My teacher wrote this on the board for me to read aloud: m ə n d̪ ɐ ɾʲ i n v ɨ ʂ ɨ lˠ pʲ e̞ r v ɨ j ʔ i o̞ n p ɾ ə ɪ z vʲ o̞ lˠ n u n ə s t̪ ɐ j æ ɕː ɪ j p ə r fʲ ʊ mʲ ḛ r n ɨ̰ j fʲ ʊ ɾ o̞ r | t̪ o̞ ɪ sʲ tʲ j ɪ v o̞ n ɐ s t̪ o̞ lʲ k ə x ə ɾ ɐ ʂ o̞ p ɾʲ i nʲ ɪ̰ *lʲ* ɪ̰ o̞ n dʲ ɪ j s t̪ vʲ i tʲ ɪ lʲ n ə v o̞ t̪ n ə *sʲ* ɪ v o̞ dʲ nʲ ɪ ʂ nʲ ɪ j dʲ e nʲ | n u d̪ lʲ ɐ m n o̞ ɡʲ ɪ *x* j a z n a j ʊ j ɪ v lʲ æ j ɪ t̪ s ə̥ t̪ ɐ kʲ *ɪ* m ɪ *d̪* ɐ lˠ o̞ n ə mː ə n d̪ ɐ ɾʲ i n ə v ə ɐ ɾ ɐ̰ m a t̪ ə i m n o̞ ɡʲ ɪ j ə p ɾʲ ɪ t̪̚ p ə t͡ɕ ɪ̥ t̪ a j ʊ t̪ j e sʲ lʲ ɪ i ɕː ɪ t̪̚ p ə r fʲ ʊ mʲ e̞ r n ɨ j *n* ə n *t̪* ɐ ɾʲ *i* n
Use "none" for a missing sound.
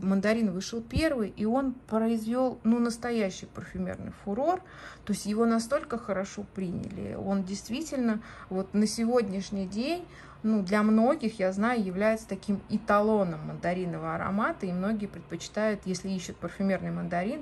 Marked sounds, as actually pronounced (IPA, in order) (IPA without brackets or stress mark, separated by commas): lʲ, sʲ, x, i, t̪, m, d̪, i